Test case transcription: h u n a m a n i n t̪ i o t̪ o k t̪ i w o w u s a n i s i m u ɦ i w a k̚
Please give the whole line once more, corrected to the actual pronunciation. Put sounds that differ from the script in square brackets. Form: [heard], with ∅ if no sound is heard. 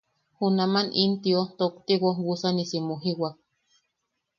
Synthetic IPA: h u n a m a n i n t̪ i o t̪ o k t̪ i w o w u s a n i s i m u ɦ i w a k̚

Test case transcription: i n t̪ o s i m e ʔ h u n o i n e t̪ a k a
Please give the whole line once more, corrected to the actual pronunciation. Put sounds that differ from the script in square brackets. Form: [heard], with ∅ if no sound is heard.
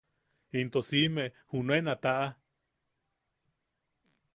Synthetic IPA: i n t̪ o s i m e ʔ h u n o [e] n [a] t̪ a [ʔ] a

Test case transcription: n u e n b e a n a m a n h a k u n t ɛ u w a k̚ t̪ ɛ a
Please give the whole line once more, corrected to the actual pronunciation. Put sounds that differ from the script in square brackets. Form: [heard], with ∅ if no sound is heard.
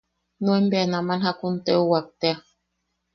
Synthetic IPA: n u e [m] b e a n a m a n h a k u n t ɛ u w a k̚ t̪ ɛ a

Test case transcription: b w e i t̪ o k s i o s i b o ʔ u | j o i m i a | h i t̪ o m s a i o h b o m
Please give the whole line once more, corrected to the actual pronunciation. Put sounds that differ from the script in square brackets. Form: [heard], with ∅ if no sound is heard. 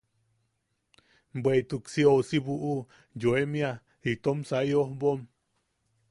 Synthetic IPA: b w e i t̪ [u] k s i o s i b [u] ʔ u | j o [e] m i a | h i t̪ o m s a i o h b o m

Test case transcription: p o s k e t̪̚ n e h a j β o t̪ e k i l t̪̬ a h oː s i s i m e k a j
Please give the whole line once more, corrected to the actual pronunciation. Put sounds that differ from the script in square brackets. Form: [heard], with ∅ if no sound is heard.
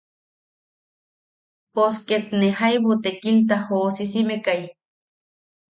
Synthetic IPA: p o s k e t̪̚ n e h a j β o t̪ e k i l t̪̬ a h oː s i s i m e k a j

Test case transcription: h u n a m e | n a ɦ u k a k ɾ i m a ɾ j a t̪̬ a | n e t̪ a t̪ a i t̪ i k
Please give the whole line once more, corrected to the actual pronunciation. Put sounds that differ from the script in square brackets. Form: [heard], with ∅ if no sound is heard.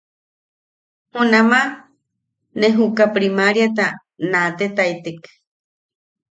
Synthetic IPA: h u n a m [a] | n [e] ɦ u k a [p] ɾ i m a ɾ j a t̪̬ a | n [a] t̪ [e] t̪ a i t̪ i k

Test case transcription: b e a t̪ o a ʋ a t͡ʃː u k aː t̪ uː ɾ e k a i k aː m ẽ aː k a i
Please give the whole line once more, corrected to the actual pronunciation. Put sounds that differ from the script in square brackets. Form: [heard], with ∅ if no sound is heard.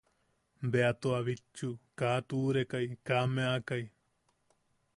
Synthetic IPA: b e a t̪ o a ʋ [i] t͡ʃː u k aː t̪ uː ɾ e k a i k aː m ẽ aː k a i

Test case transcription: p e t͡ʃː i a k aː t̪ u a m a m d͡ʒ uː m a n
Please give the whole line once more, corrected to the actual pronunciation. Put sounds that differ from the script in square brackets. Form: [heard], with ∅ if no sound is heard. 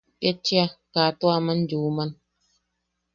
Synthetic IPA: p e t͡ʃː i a k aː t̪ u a m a [n] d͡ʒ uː m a n

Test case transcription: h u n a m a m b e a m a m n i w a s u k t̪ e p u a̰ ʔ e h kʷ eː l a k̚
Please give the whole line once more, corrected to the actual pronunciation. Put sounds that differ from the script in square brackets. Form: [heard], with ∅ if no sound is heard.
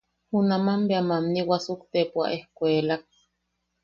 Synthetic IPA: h u n a m a m b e a m a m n i w a s u k t̪ e p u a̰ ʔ e h kʷ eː l a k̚

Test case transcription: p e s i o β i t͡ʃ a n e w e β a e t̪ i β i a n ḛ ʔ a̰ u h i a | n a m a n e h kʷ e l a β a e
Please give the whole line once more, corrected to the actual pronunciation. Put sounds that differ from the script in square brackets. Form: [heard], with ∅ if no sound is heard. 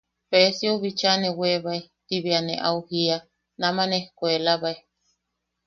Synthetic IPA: p e s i o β i t͡ʃ a n e w e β a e t̪ i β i a n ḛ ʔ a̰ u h i a | n a m a n e h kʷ e l a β a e

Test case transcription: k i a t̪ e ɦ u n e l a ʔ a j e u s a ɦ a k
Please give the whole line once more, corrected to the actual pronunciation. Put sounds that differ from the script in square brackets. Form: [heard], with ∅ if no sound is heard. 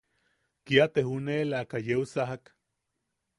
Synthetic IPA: k i a t̪ e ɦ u n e l a [k] a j e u s a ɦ a k

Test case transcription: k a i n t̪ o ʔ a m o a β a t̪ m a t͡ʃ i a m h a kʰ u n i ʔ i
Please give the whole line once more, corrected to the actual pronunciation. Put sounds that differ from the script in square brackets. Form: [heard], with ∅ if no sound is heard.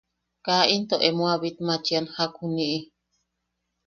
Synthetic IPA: k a i n t̪ o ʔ [e] m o a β [i] t̪ m a t͡ʃ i a [n] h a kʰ u n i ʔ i

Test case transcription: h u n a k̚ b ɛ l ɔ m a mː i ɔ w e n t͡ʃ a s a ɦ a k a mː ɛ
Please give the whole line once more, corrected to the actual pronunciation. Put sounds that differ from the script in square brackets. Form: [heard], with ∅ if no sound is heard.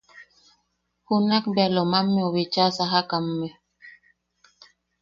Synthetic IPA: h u n a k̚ b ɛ l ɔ m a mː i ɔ w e [∅] t͡ʃ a s a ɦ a k a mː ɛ

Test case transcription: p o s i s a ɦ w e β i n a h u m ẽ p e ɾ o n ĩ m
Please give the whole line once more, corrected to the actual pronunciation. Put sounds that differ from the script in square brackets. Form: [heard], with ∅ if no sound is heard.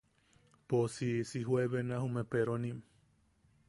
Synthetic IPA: p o s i s [i] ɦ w e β [e] n a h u m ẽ p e ɾ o n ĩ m

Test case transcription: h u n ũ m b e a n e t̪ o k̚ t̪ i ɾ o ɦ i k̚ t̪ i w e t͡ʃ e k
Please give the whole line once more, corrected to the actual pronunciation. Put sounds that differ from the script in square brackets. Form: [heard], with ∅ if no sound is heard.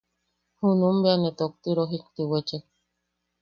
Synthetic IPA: h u n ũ m b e a n e t̪ o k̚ t̪ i ɾ o ɦ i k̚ t̪ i w e t͡ʃ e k

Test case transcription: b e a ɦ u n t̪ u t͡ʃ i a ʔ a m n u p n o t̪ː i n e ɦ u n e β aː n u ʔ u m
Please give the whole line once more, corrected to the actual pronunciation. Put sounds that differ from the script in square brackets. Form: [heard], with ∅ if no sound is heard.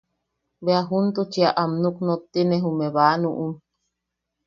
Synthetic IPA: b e a ɦ u n t̪ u t͡ʃ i a ʔ a m n u [k] n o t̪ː i n e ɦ u [m] e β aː n u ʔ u m

